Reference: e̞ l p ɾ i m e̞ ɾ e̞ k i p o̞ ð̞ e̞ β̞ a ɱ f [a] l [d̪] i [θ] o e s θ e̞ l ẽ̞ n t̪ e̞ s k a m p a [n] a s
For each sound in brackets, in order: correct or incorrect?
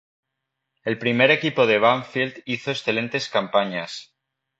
incorrect, correct, correct, incorrect

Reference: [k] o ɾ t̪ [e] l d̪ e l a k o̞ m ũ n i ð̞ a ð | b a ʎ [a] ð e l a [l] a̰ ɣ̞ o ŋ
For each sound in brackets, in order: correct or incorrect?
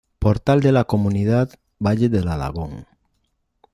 incorrect, incorrect, incorrect, correct

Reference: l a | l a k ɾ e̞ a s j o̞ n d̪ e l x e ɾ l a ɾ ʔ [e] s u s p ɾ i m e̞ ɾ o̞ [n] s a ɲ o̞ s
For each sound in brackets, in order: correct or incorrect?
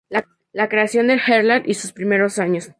incorrect, incorrect

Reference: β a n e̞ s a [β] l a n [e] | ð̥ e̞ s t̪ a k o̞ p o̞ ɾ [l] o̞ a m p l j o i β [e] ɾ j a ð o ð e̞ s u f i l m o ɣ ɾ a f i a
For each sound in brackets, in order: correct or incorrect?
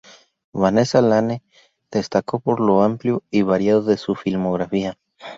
incorrect, correct, correct, incorrect

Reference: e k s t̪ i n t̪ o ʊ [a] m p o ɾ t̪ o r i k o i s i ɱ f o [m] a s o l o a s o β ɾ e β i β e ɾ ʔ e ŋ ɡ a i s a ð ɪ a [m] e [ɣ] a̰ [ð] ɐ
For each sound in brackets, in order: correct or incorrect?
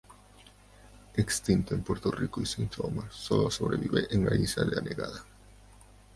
incorrect, correct, incorrect, correct, correct

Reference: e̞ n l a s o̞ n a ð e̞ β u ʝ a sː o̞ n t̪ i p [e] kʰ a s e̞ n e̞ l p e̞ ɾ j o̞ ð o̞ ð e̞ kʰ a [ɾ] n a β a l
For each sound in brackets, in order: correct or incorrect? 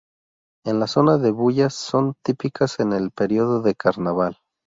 incorrect, correct

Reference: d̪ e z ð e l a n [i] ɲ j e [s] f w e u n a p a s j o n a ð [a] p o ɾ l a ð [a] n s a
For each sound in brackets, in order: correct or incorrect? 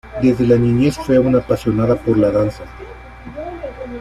correct, correct, correct, correct

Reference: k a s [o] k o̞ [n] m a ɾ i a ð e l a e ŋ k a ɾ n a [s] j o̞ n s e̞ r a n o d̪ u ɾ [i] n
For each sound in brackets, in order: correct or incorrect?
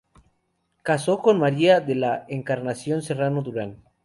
correct, correct, correct, incorrect

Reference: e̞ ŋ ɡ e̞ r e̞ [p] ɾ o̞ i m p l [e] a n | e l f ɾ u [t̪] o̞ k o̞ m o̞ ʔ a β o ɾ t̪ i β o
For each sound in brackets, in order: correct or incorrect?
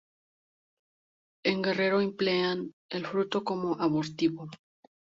incorrect, correct, correct

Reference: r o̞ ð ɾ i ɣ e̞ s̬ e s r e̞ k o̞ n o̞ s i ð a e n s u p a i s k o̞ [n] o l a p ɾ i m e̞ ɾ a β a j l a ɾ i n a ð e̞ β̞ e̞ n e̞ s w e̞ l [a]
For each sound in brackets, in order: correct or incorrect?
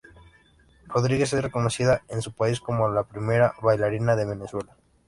incorrect, correct

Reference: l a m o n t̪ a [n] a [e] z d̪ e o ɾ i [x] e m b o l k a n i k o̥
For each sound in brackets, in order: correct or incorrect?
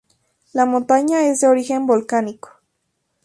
incorrect, correct, correct

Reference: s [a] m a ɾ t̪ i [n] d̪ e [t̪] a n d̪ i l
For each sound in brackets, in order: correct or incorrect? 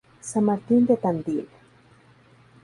correct, correct, correct

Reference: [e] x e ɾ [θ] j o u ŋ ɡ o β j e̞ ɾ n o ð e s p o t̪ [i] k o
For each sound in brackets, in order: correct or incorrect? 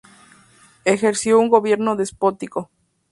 correct, incorrect, correct

